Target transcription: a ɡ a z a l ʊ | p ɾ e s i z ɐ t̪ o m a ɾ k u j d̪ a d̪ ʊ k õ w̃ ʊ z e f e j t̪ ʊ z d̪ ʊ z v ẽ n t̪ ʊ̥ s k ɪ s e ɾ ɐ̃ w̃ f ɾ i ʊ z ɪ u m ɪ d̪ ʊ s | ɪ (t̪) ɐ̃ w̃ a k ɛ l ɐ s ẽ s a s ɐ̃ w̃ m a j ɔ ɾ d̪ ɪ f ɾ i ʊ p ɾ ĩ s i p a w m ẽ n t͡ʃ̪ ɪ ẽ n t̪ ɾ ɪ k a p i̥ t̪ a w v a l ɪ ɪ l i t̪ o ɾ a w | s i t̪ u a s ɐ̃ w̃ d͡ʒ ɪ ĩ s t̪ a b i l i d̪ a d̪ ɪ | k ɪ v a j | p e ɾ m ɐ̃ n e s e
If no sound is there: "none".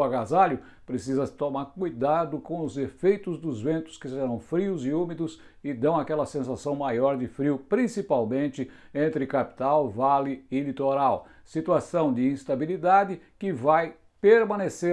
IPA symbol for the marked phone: d̪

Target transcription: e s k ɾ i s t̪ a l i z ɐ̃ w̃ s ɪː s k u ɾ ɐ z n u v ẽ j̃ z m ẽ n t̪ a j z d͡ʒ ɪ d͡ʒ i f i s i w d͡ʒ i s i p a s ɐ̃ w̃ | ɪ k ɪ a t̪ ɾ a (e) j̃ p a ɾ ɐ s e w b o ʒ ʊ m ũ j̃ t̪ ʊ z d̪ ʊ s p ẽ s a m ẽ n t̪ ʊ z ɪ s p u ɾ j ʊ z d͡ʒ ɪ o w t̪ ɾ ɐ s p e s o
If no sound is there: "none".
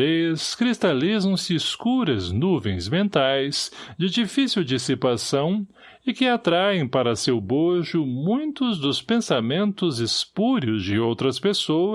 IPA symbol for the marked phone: ẽ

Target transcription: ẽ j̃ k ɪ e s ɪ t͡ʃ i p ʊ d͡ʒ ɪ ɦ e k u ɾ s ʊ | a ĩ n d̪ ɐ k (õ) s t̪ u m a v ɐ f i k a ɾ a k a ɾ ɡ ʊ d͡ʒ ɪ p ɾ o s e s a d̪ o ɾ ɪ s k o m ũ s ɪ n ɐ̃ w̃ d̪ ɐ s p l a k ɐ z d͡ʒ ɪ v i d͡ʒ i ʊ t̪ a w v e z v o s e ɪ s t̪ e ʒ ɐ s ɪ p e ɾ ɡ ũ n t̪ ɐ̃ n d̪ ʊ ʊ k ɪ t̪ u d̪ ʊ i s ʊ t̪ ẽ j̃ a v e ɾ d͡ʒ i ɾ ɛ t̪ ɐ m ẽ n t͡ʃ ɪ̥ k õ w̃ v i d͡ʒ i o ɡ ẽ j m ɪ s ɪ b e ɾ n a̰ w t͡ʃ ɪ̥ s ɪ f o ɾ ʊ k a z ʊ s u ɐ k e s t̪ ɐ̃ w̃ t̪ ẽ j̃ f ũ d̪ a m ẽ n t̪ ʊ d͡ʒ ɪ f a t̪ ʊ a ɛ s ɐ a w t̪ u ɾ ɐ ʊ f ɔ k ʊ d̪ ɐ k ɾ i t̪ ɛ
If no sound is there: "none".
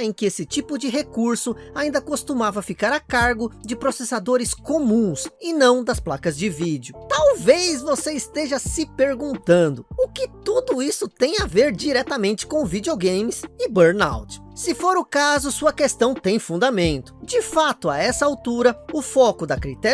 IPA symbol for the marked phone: o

